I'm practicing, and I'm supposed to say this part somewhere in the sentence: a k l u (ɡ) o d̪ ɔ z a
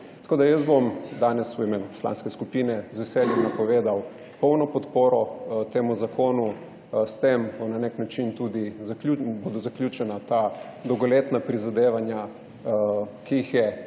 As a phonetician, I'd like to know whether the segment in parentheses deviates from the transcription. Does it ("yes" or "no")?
yes